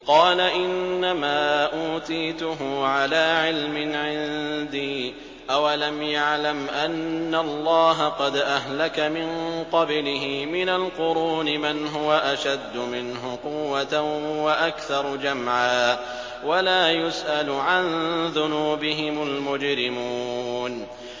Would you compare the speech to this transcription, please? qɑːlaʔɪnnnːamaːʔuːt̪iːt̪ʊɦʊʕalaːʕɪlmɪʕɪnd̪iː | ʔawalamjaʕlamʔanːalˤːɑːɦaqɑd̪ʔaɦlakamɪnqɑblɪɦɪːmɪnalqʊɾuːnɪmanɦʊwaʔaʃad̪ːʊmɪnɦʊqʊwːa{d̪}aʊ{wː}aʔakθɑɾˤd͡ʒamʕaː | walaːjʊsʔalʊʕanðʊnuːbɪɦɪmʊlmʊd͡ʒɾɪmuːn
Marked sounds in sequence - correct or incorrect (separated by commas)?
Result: incorrect, incorrect